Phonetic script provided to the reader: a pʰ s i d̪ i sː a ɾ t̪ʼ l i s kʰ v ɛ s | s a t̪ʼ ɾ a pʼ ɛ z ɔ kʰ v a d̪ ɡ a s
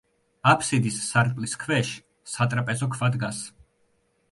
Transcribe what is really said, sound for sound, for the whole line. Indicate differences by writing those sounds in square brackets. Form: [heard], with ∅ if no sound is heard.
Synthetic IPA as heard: a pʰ s i d̪ i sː a ɾ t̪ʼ l i s kʰ v ɛ [ʃ] | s a t̪ʼ ɾ a pʼ ɛ z ɔ kʰ v a d̪ ɡ a s